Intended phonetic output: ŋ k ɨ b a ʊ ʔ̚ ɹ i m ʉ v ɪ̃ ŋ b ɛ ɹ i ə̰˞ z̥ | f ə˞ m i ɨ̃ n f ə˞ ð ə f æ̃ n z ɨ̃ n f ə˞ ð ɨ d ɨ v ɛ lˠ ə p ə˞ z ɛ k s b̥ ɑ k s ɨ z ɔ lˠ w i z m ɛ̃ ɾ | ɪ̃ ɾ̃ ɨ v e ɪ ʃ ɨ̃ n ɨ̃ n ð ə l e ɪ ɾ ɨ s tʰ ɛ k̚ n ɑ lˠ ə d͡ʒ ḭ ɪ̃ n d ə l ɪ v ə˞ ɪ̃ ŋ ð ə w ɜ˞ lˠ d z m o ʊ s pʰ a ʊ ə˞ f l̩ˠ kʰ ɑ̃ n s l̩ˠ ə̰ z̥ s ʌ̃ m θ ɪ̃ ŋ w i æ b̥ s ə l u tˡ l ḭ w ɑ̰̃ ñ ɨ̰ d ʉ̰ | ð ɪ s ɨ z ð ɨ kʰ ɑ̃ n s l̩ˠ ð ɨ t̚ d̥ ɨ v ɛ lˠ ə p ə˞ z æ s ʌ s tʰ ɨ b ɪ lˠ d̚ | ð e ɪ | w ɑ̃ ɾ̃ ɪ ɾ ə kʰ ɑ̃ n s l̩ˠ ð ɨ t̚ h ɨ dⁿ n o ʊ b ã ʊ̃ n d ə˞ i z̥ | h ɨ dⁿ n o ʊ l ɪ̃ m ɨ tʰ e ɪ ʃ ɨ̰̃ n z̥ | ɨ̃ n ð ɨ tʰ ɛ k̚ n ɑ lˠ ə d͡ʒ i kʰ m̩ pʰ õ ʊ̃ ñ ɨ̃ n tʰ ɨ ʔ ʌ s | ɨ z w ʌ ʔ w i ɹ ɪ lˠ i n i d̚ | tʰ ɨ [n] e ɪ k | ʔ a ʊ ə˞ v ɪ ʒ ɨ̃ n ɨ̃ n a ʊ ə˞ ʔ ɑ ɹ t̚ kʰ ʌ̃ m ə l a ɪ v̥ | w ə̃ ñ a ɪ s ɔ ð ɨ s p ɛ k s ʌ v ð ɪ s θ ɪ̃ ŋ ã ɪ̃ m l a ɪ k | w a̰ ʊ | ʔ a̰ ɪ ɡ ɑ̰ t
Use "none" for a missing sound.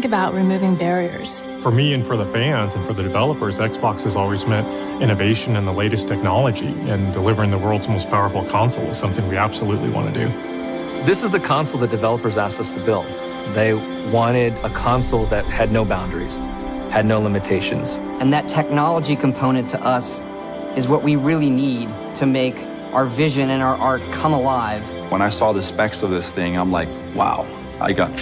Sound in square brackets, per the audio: m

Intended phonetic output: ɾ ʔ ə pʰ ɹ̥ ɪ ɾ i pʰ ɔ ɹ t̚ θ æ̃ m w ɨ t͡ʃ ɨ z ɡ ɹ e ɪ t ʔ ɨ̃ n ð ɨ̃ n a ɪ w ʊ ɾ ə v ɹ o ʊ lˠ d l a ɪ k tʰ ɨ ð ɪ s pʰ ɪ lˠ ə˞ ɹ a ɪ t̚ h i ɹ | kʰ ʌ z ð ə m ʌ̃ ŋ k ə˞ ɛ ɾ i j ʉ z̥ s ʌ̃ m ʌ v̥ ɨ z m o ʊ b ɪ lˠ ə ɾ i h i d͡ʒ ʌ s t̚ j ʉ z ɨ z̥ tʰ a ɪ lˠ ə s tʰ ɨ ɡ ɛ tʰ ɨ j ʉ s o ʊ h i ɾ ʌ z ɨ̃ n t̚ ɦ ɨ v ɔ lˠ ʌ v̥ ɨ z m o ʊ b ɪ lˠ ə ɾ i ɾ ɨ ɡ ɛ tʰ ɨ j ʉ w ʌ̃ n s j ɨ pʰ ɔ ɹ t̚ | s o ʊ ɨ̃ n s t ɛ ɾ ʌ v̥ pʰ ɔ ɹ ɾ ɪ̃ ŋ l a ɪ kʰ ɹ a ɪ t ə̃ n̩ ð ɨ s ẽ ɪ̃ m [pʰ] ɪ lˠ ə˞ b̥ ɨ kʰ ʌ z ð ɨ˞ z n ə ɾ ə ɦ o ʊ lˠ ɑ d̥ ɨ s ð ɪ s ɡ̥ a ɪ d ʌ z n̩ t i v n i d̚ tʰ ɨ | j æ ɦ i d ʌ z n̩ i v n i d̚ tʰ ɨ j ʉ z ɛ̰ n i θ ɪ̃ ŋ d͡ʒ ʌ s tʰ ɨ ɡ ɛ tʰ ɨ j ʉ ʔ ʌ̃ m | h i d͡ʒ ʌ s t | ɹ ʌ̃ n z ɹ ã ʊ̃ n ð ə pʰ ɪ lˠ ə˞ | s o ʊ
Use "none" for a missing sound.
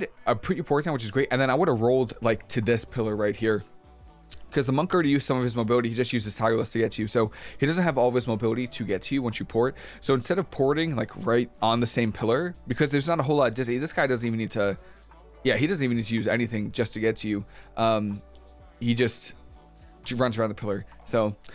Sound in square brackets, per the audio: pʰ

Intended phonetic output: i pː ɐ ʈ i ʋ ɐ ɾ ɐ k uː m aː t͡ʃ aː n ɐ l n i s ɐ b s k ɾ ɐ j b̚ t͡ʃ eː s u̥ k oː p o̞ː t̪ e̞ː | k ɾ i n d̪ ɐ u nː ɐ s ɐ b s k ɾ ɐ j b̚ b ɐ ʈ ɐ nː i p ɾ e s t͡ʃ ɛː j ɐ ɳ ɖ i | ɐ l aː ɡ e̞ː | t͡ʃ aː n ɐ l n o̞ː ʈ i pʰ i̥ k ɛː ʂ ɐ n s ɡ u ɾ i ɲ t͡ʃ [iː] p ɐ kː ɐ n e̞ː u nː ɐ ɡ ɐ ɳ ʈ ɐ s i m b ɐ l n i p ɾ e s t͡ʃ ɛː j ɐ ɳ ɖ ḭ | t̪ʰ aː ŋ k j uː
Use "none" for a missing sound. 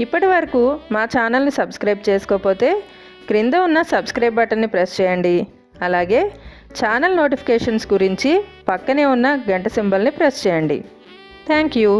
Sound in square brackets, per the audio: i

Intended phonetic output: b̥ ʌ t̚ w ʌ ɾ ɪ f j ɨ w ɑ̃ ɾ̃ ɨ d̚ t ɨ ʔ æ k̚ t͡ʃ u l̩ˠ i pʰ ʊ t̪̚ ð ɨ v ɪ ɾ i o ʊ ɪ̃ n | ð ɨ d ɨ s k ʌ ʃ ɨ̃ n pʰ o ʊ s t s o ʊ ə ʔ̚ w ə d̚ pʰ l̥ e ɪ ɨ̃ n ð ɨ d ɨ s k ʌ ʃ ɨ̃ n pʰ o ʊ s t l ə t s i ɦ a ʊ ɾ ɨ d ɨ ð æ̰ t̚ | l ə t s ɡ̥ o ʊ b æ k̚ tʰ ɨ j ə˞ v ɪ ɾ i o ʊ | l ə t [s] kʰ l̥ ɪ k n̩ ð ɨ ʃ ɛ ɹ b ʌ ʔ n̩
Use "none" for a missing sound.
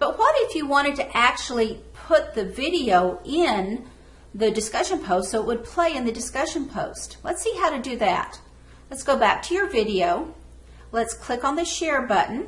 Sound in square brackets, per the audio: s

